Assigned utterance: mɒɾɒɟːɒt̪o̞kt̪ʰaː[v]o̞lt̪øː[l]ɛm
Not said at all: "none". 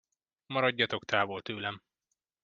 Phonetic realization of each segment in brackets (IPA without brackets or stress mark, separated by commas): v, l